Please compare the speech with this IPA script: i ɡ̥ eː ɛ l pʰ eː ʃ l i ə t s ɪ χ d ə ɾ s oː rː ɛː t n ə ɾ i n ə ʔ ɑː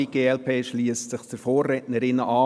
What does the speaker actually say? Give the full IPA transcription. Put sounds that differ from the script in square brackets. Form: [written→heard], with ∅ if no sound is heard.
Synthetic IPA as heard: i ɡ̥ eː ɛ l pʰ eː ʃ l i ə [t→s] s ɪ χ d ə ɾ [s→f] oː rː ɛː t n ə ɾ [i→ɪ] n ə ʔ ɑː